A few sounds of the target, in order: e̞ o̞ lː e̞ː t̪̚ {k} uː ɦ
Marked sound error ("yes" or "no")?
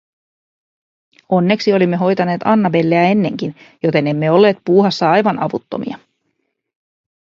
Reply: yes